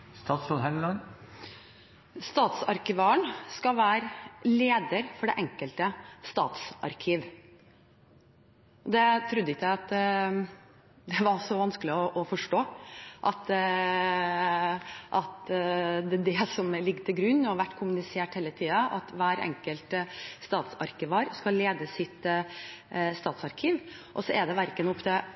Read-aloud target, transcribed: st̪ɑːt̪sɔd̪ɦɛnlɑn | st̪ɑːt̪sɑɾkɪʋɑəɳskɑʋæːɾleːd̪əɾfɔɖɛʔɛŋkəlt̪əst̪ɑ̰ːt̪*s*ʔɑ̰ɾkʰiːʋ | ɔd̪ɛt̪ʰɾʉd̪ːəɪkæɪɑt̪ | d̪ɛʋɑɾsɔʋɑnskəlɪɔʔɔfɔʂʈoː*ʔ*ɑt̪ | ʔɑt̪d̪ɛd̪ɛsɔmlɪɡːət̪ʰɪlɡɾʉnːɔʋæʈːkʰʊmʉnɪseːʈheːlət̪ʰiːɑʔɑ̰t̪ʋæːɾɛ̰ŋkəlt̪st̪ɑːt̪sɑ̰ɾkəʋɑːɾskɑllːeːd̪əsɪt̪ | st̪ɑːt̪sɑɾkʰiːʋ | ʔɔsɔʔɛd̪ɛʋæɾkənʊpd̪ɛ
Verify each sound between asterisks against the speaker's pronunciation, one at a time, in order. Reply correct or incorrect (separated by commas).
correct, correct